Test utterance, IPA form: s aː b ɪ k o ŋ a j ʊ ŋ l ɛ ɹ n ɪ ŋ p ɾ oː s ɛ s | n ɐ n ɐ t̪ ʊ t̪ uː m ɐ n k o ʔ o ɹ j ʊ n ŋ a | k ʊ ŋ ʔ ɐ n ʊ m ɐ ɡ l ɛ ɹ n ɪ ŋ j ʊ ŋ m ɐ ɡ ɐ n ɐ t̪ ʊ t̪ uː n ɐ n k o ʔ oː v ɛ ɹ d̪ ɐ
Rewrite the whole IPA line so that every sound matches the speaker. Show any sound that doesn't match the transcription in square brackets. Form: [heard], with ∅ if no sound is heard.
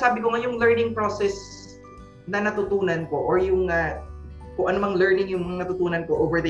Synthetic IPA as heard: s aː b ɪ k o ŋ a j ʊ ŋ l ɛ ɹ n ɪ ŋ p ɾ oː s ɛ s | n ɐ n ɐ t̪ ʊ t̪ uː [n] ɐ n k o ʔ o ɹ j ʊ [∅] ŋ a | k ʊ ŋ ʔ ɐ n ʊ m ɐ [ŋ] l ɛ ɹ n ɪ ŋ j ʊ ŋ m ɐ [ŋ] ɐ n ɐ t̪ ʊ t̪ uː n ɐ n k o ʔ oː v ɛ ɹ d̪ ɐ